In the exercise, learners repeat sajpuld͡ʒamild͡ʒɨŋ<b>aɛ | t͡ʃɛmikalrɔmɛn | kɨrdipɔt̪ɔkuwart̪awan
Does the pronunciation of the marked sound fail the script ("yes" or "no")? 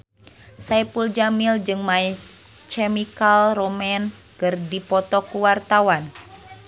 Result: yes